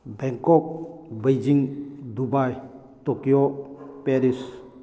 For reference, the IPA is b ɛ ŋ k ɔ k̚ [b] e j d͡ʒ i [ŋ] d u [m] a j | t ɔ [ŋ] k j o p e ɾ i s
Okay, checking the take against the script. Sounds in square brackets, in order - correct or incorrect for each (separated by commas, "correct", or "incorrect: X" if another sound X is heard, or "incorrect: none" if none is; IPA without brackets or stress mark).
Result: correct, correct, incorrect: b, incorrect: none